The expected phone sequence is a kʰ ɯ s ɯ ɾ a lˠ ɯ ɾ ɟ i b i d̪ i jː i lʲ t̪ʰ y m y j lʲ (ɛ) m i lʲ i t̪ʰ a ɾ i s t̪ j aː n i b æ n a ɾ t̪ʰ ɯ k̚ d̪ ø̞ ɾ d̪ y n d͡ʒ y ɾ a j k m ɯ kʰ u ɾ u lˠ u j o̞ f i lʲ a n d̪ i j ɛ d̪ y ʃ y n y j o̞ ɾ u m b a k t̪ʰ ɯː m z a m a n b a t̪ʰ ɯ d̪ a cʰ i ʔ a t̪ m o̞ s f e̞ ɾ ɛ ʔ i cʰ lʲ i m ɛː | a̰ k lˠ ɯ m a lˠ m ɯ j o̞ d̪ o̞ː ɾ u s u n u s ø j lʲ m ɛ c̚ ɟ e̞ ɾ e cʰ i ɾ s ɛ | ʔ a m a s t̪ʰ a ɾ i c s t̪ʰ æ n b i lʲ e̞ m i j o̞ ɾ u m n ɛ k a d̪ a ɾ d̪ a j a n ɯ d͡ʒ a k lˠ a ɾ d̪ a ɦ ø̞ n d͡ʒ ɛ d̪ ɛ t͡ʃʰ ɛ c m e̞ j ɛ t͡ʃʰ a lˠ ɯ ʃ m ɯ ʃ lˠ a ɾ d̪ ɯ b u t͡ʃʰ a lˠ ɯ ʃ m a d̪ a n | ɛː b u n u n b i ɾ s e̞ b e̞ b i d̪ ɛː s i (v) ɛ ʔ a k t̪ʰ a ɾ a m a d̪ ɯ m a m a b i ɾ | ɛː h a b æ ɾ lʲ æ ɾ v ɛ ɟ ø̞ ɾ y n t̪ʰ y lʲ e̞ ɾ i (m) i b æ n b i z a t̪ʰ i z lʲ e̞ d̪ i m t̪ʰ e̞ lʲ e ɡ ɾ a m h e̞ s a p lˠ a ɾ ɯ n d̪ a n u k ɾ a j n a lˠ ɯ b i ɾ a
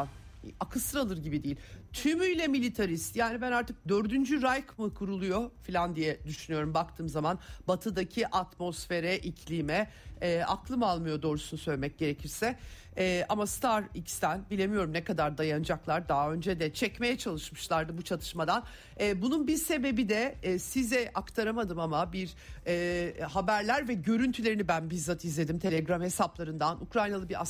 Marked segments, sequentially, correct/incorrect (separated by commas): correct, incorrect, incorrect